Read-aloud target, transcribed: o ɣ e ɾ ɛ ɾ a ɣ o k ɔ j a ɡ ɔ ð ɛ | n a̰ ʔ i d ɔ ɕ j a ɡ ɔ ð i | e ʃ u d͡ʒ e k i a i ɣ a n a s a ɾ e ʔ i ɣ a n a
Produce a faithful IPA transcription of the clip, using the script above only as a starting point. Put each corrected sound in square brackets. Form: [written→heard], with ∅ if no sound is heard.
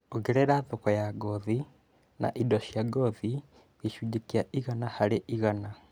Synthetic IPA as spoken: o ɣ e ɾ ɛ ɾ a [ɣ→ð] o k ɔ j a ɡ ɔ ð [ɛ→i] | n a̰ ʔ i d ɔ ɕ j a ɡ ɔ ð i | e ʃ u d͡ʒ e k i a i ɣ a n a [s→h] a ɾ e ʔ i ɣ a n a

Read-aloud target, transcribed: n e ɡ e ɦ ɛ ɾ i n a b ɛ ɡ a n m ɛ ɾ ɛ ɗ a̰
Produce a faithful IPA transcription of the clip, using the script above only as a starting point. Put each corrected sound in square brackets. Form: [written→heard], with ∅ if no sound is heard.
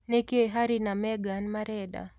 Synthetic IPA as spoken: n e [ɡ→k] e ɦ [ɛ→a] ɾ i n a [b→m] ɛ ɡ a n m [ɛ→a] ɾ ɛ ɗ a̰

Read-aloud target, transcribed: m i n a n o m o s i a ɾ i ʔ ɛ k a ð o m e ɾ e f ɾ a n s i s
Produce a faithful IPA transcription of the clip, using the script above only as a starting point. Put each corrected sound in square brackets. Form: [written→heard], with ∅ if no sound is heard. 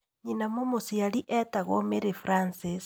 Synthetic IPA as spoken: [m→ɲ] i n a [n→m] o m o s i a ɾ i ʔ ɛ [k→t] a [ð→ɣ] o m e ɾ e f ɾ a n s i s

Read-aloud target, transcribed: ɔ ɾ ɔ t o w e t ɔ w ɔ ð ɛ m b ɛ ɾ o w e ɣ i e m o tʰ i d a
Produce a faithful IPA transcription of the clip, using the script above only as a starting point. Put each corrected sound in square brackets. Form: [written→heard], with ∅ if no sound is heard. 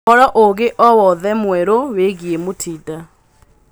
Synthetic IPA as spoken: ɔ ɾ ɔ [t→ʔ] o [w→ɣ] e [t→ʔ] ɔ w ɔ ð ɛ m [b→w] ɛ ɾ o w e ɣ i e m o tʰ i d a

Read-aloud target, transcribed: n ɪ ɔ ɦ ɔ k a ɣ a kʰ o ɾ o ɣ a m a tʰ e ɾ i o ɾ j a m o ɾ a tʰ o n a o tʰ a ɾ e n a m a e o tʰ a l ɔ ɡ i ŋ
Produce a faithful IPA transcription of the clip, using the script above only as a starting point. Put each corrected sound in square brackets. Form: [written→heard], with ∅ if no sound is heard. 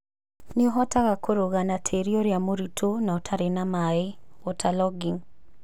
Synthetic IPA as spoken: n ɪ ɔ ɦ ɔ [k→t] a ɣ a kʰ o ɾ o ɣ a [m→n] a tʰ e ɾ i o ɾ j a m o ɾ [a→i] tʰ o n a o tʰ a ɾ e n a m a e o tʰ a l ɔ ɡ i ŋ

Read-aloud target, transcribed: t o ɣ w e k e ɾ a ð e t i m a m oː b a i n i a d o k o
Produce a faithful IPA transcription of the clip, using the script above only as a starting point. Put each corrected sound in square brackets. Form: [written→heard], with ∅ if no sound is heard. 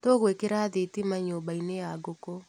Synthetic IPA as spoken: t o ɣ w e k e ɾ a ð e t i m a [m→ɲ] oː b a i n [i→e] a [d→ɡ] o k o

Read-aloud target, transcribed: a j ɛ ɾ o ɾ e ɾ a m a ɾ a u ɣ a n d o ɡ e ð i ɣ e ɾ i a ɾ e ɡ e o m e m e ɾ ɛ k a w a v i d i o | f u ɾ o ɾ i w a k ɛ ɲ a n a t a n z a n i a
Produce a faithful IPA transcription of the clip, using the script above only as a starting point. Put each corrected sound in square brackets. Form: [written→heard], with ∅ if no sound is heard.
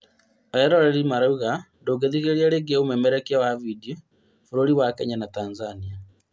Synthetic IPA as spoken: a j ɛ ɾ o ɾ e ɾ [a→i] m a ɾ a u ɣ a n d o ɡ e ð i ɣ e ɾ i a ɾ e ɡ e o m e m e ɾ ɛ k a w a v i d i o | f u ɾ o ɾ i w a k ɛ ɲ a n a t a n z a n i a

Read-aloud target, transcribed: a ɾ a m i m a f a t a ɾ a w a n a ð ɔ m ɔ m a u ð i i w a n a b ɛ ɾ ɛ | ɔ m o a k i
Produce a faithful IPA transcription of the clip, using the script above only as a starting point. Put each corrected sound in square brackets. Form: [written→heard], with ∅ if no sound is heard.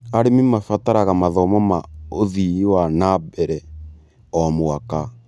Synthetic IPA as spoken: a ɾ [a→e] m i m a f a t a ɾ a [w→ɣ] a [n→m] a ð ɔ m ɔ m a [u→o] ð i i w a n a b ɛ ɾ ɛ | ɔ m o a k [i→a]

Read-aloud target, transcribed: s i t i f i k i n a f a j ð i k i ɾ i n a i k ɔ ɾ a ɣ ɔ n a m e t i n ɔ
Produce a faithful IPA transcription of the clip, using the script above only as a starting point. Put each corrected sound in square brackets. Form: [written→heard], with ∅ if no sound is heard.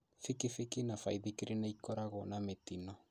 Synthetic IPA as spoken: [s→f] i [t→k] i f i k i n a f a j ð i k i ɾ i n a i k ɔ ɾ a ɣ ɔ n a m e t i n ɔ

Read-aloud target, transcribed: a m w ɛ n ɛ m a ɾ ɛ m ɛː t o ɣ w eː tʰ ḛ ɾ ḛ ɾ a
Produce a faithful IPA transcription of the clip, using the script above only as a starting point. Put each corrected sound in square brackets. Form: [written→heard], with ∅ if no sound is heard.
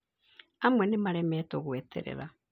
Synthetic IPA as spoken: a m w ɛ n [ɛ→e] m a ɾ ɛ m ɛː t o ɣ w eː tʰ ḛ ɾ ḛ ɾ a

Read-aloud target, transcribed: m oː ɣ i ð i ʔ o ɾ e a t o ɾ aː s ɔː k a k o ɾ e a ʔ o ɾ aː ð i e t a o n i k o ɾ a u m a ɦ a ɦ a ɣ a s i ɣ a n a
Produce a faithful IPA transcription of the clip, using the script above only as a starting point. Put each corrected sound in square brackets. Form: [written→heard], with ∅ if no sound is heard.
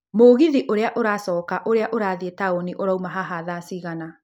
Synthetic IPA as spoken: m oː ɣ i ð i ʔ o ɾ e a [t→ʔ] o ɾ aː s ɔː k a [k→ʔ] o ɾ e a ʔ o ɾ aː ð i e t a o n i [k→ʔ] o ɾ a u m a ɦ a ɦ a [ɣ→ð] a s i ɣ a n a

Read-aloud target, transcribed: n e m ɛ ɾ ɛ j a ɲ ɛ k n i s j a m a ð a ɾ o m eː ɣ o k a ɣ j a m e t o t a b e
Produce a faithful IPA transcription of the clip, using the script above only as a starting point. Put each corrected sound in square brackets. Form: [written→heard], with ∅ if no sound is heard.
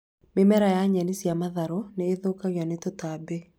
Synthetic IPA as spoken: [n→m] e m ɛ ɾ [ɛ→a] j a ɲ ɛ [k→∅] n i s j a m a ð a ɾ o [m→n] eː [ɣ→ð] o k a ɣ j a [m→n] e t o t a b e

